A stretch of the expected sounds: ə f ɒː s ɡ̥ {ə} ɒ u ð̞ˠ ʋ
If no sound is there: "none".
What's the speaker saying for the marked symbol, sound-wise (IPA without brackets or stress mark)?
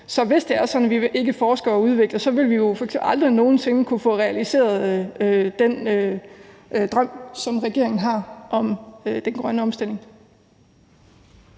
ɐ